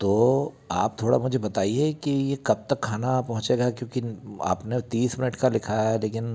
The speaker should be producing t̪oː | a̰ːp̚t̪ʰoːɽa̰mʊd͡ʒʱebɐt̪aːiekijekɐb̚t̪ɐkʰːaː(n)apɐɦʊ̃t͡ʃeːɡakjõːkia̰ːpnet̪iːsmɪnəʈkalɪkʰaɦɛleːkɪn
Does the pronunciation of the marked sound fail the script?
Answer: no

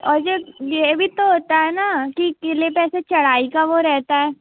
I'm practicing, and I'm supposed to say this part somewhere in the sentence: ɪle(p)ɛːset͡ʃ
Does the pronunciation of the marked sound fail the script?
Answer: no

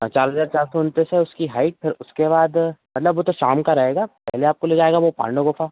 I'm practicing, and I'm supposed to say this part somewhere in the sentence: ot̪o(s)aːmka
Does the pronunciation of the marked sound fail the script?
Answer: yes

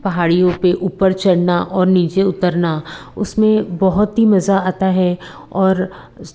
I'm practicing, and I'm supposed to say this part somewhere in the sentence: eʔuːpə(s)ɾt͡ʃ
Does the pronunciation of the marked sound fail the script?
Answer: yes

